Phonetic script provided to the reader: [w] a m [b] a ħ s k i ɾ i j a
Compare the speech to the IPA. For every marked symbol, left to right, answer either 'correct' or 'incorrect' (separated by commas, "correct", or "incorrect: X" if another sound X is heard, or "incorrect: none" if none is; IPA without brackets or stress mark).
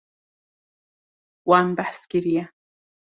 correct, correct